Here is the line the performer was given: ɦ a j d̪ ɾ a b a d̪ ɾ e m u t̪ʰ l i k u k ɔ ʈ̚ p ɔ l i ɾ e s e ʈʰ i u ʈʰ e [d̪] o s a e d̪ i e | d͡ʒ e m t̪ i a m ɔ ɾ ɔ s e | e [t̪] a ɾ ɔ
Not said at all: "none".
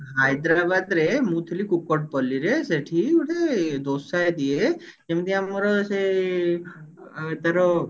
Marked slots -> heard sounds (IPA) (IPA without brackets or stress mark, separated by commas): d̪, t̪